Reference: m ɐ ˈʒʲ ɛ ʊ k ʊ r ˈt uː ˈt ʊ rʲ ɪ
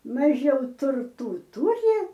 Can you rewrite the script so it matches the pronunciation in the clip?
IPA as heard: m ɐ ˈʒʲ ɛ ʊ t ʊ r ˈt uː ˈt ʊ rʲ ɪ